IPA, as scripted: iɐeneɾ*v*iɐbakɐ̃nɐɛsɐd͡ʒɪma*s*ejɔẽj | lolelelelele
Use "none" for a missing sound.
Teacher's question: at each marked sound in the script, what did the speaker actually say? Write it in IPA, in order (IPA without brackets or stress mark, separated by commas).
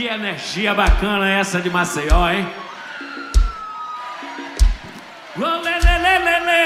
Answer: ʒ, s